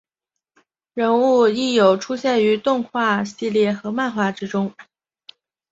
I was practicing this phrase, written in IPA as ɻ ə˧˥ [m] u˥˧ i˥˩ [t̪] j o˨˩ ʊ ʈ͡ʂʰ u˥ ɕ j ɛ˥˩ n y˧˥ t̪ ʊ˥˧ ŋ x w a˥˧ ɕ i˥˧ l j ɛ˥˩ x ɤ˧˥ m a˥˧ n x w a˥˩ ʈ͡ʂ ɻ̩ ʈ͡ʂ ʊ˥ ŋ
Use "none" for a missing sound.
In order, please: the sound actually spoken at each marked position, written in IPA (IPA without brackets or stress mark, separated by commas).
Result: n, none